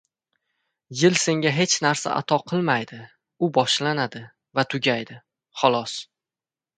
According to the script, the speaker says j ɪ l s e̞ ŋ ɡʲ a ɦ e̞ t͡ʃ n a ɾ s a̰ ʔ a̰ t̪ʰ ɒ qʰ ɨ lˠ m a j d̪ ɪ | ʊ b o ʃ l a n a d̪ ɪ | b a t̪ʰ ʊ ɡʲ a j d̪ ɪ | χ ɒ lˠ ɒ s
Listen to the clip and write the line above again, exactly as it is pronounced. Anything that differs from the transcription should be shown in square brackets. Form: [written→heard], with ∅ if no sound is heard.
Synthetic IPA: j ɪ l s e̞ ŋ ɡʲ a ɦ e̞ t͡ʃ n a ɾ s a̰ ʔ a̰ t̪ʰ ɒ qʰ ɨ lˠ m a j d̪ ɪ | ʊ b [o→ɒ] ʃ l a n a d̪ ɪ | [b→v] a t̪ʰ ʊ ɡʲ a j d̪ ɪ | χ ɒ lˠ ɒ s